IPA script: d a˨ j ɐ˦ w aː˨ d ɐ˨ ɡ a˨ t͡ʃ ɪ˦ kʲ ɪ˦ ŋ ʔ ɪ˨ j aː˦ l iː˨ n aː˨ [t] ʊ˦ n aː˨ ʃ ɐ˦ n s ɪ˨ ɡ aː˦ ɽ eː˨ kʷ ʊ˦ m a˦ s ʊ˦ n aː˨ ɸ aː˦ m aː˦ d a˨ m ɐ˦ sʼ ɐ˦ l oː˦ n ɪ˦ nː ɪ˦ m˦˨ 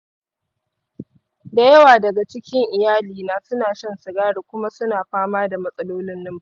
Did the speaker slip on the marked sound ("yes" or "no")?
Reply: yes